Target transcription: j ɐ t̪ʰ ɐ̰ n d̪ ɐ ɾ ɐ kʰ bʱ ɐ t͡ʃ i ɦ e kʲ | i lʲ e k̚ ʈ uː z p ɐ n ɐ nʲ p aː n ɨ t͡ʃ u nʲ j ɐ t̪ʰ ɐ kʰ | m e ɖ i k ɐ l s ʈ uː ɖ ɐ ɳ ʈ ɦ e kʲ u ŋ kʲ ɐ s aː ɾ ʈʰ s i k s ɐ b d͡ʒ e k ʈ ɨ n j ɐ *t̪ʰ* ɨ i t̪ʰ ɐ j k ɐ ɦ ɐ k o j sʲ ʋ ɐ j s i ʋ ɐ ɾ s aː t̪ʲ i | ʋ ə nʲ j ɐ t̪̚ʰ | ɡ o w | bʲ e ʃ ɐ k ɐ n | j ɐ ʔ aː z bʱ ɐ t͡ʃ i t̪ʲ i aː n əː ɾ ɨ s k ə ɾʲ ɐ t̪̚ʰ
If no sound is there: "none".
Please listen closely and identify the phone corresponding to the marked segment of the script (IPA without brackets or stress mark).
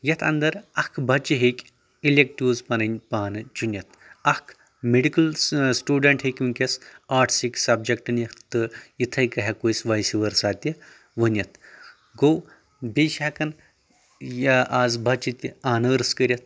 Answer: t̪